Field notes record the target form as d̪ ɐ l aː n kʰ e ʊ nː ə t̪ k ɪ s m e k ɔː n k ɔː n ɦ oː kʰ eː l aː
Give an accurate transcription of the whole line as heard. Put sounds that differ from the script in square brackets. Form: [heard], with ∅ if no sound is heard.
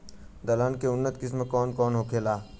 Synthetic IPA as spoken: d̪ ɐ l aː n [k] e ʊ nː ə t̪ k ɪ s m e k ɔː n k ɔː n ɦ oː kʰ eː l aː